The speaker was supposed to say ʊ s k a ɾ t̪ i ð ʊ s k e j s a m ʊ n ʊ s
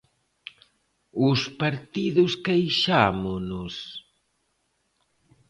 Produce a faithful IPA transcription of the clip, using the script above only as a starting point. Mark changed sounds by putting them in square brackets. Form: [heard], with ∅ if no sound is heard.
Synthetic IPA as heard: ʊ s [p] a ɾ t̪ i ð ʊ s k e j [ʃ] a m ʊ n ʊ s

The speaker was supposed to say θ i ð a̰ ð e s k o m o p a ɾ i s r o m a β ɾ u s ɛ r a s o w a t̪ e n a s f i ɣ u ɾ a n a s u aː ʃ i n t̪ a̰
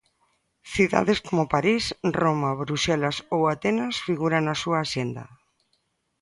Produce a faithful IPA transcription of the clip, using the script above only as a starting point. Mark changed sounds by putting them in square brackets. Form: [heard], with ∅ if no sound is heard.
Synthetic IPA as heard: θ i ð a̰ ð e s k o m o p a ɾ i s r o m a β ɾ u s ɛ [l] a s o w a t̪ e n a s f i ɣ u ɾ a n a s u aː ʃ [e] n [d̪] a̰

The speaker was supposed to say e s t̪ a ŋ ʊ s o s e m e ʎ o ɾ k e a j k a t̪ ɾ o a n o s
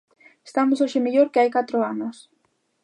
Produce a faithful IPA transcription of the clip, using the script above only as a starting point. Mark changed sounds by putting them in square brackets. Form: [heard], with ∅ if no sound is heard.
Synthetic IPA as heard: e s t̪ a [m] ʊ s o [ʃ] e m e ʎ o ɾ k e a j k a t̪ ɾ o a n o s

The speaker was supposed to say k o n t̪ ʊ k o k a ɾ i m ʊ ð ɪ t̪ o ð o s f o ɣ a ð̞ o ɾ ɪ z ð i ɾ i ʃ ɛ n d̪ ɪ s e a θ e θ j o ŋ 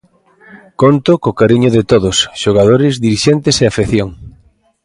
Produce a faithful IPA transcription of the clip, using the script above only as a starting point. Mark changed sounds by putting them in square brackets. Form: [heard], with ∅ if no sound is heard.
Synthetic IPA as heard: k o n t̪ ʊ k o k a ɾ i [ɲ] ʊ ð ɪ t̪ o ð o s [ʃ] o ɣ a ð̞ o ɾ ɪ z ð i ɾ i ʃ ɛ n [t̪] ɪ s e a [f] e θ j o ŋ

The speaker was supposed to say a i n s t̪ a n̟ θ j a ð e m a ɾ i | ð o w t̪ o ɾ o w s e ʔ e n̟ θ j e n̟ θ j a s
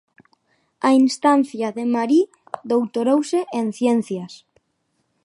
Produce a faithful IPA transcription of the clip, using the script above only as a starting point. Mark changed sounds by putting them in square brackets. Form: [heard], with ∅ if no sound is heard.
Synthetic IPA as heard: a i n s t̪ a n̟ θ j a ð e m a ɾ i | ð o w t̪ o ɾ o w s e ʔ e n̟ θ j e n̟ θ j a s

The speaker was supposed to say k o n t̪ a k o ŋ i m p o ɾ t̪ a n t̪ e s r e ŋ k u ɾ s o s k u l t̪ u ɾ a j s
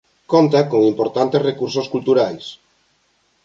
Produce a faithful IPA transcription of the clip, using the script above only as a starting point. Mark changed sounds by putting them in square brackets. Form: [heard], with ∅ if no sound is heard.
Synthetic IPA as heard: k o n t̪ a k o ŋ i m p o ɾ t̪ a n t̪ e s r e [∅] k u ɾ s o s k u l t̪ u ɾ a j s

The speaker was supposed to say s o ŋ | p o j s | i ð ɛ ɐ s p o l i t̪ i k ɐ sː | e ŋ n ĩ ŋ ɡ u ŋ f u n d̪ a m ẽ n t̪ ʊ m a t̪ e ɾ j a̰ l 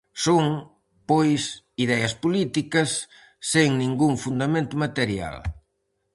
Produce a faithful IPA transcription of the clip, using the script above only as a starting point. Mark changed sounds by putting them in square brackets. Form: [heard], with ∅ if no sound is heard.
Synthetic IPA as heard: s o ŋ | p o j s | i ð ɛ ɐ s p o l i t̪ i k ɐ sː | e ŋ n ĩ ŋ ɡ u ŋ f u n d̪ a m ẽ n t̪ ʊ m a t̪ e ɾ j a̰ l

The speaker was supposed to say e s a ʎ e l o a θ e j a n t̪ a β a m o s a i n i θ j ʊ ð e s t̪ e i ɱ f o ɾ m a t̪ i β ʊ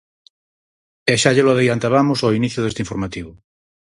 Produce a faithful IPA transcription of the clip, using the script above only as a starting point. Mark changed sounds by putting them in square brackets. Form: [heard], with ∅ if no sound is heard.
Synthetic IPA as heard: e [ʃ] a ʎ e l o a [ð] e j a n t̪ a β a m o s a i n i θ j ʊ ð e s t̪ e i ɱ f o ɾ m a t̪ i β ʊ

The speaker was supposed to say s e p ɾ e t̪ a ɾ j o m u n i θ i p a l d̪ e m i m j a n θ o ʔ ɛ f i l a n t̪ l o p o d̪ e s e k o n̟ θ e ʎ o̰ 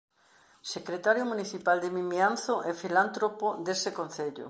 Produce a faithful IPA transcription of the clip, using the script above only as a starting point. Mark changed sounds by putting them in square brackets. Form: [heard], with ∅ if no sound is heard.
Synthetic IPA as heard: s e [k] ɾ e t̪ a ɾ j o m u n i θ i p a l d̪ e m i m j a n θ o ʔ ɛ f i l a n t̪ [ɾ] o p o d̪ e s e k o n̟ θ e ʎ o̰

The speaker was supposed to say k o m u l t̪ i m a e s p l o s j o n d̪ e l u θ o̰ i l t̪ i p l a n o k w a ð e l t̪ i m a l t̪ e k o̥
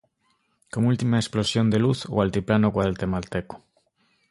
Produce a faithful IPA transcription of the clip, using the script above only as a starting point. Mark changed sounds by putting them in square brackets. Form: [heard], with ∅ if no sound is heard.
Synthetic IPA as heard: k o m u l t̪ i m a e s p l o s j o n d̪ e l u θ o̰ [a] l t̪ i p l a n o k w a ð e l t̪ [e] m a l t̪ e k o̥

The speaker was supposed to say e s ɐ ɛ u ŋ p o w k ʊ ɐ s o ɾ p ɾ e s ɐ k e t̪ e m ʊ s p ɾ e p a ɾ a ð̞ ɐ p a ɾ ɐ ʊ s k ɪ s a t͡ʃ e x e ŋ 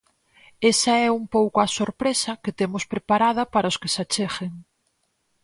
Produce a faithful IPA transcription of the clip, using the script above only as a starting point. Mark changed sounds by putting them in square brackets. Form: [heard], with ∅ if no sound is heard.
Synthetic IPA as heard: e s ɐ ɛ u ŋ p o w k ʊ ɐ s o ɾ p ɾ e s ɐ k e t̪ e m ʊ s p ɾ e p a ɾ a ð̞ ɐ p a ɾ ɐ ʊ s k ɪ s a t͡ʃ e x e ŋ

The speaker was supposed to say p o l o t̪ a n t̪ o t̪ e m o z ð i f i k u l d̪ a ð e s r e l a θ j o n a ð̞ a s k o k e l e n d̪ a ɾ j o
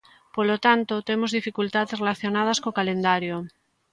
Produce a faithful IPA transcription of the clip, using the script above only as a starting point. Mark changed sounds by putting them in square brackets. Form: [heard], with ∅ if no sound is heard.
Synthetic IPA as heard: p o l o t̪ a n t̪ o t̪ e m o z ð i f i k u l [t̪] a ð e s r e l a θ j o n a ð̞ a s k o k [a] l e n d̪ a ɾ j o

